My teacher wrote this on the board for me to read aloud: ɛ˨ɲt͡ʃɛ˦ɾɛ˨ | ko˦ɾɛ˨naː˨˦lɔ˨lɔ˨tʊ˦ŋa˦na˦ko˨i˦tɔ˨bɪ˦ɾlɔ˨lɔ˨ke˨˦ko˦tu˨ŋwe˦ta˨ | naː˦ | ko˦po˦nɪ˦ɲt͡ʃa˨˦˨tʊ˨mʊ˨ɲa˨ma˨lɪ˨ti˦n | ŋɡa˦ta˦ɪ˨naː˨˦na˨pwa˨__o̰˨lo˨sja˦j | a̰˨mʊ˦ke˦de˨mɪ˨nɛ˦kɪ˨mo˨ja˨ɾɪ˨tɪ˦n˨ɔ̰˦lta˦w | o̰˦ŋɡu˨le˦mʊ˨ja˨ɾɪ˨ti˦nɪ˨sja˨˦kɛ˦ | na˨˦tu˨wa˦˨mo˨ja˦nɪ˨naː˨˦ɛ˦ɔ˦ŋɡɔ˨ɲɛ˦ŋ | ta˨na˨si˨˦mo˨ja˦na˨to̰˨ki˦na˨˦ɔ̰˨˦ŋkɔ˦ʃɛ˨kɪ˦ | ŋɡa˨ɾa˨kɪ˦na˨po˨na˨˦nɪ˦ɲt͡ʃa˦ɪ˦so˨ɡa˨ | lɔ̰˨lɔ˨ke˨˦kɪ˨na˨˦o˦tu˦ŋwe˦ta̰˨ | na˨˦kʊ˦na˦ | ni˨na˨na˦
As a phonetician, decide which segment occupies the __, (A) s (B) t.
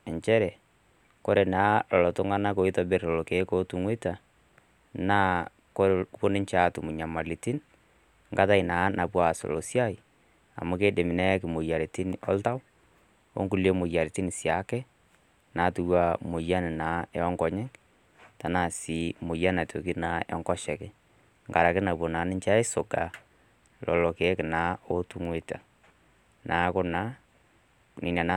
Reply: A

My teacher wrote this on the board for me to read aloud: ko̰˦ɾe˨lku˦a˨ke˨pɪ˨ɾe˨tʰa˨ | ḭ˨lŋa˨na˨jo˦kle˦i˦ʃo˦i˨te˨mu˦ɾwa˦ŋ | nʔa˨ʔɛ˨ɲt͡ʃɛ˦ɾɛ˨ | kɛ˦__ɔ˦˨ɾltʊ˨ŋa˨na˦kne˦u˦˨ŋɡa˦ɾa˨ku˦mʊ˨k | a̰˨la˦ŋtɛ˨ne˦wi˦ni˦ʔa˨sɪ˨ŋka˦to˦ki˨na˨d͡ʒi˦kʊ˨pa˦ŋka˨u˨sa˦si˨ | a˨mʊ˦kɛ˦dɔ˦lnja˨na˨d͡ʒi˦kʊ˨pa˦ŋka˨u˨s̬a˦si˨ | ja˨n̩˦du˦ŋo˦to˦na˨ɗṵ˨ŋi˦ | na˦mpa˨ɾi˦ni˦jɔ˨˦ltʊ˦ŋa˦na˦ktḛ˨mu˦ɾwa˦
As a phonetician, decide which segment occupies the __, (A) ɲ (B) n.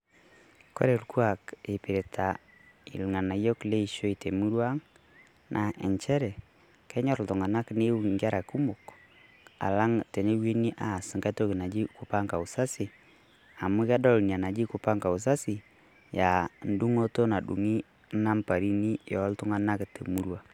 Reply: A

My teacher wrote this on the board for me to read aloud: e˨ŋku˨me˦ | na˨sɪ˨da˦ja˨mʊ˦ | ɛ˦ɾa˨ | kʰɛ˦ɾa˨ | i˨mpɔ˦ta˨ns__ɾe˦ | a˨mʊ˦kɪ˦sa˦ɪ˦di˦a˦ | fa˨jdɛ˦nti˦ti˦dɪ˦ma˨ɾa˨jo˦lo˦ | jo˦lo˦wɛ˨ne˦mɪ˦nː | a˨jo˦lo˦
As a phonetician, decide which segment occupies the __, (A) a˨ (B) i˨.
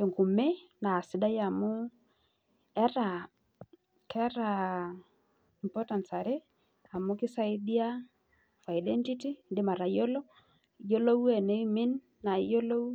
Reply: A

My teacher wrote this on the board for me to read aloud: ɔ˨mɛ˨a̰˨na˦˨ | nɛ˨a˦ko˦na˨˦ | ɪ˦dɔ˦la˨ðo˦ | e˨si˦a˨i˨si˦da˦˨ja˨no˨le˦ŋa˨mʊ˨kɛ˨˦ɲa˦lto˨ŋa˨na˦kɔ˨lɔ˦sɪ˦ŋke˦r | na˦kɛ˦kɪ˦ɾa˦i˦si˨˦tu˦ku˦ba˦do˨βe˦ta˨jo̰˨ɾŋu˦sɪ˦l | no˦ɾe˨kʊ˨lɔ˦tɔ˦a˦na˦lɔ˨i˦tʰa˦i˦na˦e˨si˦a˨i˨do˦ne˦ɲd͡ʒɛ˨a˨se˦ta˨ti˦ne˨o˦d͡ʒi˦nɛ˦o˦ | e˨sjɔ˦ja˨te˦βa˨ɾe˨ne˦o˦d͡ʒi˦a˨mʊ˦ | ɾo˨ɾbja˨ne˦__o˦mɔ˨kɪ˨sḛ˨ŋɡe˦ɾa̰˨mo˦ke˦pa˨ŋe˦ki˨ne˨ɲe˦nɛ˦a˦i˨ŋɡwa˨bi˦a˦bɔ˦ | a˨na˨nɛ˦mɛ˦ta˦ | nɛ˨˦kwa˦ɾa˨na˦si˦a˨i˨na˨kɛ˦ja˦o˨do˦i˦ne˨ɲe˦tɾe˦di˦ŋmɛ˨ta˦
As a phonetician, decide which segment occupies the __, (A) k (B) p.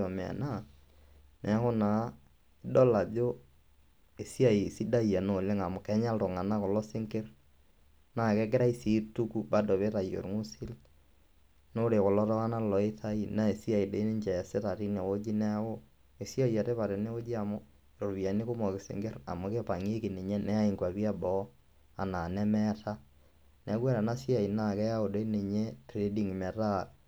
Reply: A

